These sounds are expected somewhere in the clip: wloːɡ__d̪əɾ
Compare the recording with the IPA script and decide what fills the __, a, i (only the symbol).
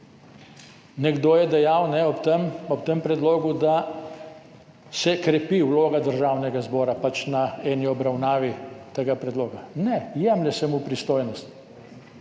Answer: a